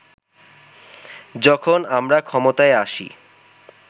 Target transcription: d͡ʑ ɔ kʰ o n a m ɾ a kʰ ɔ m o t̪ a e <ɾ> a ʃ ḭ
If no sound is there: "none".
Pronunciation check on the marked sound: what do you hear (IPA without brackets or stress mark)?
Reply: none